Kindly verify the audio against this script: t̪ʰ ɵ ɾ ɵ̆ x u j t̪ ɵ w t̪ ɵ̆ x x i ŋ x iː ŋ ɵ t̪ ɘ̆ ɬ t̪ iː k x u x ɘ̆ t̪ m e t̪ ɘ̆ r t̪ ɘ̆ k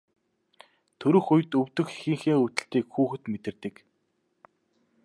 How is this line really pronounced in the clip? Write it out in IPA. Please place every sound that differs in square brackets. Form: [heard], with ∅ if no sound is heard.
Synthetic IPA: t̪ʰ ɵ ɾ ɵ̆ x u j t̪ ɵ w t̪ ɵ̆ x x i ŋ x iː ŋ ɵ t̪ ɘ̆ ɬ t̪ iː k x [uː] x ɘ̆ t̪ m e t̪ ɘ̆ r t̪ ɘ̆ k